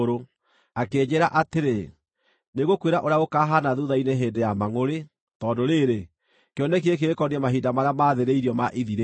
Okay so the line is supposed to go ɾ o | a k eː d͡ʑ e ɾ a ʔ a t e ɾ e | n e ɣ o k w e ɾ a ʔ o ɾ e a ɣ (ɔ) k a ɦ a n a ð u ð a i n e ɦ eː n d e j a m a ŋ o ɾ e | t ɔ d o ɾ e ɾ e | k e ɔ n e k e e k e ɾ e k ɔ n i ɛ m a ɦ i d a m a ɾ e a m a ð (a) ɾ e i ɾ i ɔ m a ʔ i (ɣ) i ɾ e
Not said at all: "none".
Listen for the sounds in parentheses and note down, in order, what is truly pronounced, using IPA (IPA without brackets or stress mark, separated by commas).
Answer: o, e, ð